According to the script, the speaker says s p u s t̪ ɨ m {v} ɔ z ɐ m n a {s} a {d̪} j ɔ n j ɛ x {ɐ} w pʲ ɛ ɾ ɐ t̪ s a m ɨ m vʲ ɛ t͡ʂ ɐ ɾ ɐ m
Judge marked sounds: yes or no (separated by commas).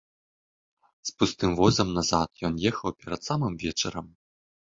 yes, no, no, yes